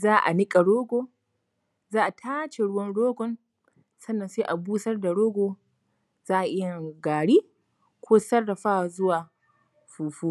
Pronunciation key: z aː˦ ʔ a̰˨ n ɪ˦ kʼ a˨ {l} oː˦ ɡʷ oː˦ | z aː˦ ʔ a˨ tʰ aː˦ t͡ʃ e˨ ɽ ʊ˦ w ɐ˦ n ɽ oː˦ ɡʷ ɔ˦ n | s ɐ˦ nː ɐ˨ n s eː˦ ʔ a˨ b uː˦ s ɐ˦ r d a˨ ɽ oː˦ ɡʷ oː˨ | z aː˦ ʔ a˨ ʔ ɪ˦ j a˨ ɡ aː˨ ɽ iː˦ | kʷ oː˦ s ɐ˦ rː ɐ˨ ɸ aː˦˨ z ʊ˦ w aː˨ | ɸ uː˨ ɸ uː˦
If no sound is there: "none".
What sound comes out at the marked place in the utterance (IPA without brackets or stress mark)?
ɽ